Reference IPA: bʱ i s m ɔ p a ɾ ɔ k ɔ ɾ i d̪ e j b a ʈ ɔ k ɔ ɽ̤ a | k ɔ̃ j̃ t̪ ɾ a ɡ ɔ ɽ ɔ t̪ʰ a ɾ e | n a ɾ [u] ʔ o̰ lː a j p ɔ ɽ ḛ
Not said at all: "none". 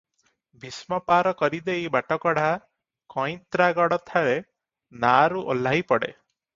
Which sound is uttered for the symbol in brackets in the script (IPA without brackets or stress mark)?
u